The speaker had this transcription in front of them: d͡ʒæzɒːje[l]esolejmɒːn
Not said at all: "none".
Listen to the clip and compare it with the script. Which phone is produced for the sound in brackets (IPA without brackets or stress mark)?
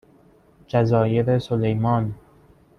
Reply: ɾ